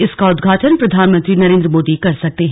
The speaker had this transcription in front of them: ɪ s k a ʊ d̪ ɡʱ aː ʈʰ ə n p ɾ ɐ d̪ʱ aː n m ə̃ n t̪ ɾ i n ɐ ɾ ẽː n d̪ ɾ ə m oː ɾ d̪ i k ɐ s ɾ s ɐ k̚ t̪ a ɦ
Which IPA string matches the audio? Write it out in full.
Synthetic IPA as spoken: ɪ s k a ʊ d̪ ɡʱ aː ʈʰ ə n p ɾ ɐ d̪ʱ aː n m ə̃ n t̪ ɾ i n ɐ ɾ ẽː n d̪ ɾ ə m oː d̪ i k ɐ ɾ s ɐ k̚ t̪ e ɦ